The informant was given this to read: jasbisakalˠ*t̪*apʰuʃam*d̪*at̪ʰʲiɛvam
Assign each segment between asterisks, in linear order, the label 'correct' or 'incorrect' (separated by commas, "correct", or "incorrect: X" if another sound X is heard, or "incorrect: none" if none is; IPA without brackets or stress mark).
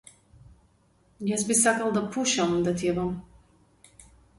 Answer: incorrect: d̪, correct